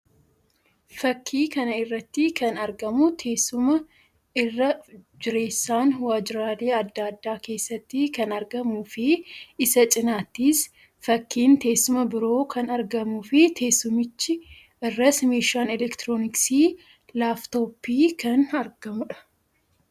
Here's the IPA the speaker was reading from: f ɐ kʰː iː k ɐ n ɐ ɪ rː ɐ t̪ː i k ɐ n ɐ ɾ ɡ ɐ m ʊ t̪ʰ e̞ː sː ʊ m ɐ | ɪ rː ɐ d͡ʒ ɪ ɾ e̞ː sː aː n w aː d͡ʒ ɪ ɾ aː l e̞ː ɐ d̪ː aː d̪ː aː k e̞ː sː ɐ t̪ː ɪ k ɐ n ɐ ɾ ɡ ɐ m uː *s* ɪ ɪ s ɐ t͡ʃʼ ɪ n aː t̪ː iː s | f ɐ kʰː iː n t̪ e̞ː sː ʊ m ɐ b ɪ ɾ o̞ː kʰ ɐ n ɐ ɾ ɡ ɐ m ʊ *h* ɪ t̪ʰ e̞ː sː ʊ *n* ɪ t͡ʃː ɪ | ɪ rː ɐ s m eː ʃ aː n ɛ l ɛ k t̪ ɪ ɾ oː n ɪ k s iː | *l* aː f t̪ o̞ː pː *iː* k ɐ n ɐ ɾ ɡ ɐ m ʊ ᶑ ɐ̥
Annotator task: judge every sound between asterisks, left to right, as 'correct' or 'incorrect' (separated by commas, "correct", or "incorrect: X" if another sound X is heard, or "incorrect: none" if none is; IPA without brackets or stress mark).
incorrect: f, incorrect: f, incorrect: m, correct, correct